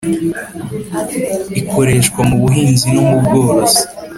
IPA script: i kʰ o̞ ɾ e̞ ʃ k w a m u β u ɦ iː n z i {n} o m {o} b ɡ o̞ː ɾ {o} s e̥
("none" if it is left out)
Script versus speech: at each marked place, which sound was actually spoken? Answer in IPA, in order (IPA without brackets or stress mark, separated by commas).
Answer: n, u, o